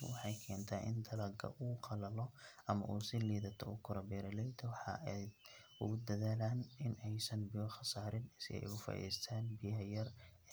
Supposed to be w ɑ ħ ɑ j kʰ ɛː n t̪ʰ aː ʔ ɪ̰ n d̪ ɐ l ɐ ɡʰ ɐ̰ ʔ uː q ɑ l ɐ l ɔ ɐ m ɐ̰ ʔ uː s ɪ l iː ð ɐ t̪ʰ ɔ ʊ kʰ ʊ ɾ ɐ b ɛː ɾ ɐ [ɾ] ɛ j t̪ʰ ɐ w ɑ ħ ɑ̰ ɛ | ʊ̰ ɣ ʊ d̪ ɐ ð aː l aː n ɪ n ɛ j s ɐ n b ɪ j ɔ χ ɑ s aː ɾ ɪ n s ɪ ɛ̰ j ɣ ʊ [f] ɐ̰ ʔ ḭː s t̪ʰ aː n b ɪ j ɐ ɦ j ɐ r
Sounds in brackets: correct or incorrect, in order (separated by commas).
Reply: incorrect, correct